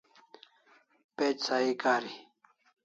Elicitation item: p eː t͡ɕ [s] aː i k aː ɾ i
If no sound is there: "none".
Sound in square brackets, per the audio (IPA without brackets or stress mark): s